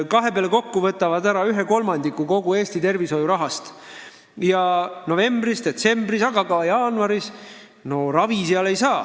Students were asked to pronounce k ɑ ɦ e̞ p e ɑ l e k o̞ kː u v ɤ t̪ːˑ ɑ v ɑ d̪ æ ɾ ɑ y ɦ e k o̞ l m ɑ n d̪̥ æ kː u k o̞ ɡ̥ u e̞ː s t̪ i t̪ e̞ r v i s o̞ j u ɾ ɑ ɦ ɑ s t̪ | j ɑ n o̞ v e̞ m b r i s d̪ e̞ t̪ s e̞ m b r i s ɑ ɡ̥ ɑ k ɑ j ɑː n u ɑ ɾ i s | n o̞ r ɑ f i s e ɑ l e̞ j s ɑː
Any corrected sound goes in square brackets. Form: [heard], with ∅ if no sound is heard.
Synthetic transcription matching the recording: k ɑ ɦ e̞ p e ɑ l e k o̞ kː u v ɤ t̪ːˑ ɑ v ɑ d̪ æ ɾ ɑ y ɦ e k o̞ l m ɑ n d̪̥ [i] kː u k o̞ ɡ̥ u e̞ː s t̪ i t̪ e̞ r v i s o̞ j u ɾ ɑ ɦ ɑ s t̪ | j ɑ n o̞ v e̞ m b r i s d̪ e̞ t̪ s e̞ m b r i s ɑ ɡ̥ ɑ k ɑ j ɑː n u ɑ ɾ i s | n o̞ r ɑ [v] i s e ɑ l e̞ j s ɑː